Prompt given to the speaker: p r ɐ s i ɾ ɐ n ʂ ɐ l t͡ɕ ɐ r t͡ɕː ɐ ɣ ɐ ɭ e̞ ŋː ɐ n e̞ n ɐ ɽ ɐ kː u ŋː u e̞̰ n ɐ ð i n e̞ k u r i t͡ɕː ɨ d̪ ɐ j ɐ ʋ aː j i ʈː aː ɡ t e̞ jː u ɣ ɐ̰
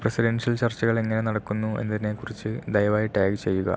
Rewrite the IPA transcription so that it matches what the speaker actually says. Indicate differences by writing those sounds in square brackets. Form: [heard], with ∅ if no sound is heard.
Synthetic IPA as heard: p r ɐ s i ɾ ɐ n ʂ ɐ l t͡ɕ ɐ r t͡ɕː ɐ ɣ ɐ ɭ e̞ ŋː ɐ n e̞ n ɐ ɽ ɐ kː u [nː] u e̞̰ [nː] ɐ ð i n e̞ k u r i t͡ɕː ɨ d̪ ɐ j ɐ ʋ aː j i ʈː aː ɡ [t͡ɕ] e̞ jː u ɣ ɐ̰